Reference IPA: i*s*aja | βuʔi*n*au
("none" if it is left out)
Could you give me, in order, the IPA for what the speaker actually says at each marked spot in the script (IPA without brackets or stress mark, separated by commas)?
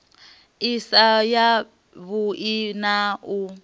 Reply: s, n